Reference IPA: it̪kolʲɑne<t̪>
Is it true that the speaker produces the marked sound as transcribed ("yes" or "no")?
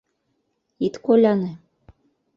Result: no